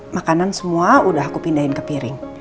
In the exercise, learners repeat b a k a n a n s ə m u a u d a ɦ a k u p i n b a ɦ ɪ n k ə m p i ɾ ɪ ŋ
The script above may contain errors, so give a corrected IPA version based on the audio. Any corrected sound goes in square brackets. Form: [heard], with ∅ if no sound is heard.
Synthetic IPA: [m] a k a n a n s ə m u a u d a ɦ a k u p i n [d] a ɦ ɪ n k ə [∅] p i ɾ ɪ ŋ